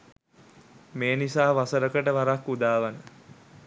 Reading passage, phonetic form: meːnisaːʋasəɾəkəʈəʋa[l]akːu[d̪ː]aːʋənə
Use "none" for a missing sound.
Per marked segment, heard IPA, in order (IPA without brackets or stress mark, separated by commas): ɾ, d̪